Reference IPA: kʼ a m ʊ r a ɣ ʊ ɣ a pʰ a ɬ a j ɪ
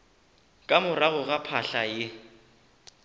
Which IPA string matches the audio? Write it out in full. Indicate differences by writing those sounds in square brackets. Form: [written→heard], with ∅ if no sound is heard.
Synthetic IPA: kʼ a m ʊ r a ɣ ʊ ɣ a pʰ a ɬ a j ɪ